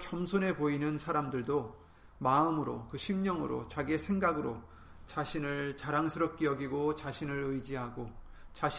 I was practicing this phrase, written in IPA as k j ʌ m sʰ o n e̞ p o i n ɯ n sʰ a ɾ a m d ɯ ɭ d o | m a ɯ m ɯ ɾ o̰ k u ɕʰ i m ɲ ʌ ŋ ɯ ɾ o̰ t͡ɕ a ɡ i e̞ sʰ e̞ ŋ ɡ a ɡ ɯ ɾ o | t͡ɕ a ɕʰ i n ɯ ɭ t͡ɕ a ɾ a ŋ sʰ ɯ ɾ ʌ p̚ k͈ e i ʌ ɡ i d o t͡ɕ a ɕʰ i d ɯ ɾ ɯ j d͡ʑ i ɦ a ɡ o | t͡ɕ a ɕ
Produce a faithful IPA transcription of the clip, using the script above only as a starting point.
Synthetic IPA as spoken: k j ʌ m sʰ o n e̞ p o i n ɯ n sʰ a ɾ a m d ɯ ɭ d o | m a ɯ m ɯ ɾ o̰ k ɯ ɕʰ i m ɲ ʌ ŋ ɯ ɾ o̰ t͡ɕ a ɡ i e̞ sʰ e̞ ŋ ɡ a ɡ ɯ ɾ o | t͡ɕ a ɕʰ i n ɯ ɭ t͡ɕ a ɾ a ŋ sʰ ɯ ɾ ʌ p̚ k͈ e j ʌ ɡ i ɡ o t͡ɕ a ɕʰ i n ɯ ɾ ɯ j d͡ʑ i ɦ a ɡ o | t͡ɕ a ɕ